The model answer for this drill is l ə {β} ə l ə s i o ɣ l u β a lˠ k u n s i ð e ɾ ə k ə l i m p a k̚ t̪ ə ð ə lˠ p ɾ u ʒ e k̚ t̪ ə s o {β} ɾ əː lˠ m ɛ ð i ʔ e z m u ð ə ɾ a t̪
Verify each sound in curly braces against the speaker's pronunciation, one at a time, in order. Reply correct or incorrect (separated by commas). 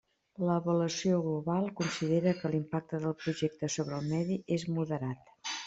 correct, correct